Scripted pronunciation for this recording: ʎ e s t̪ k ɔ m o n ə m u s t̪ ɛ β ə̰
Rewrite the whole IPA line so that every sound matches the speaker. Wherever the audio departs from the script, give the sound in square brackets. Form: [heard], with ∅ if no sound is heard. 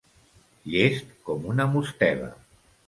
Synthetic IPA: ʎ e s t̪ k ɔ m [u] n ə m u s t̪ ɛ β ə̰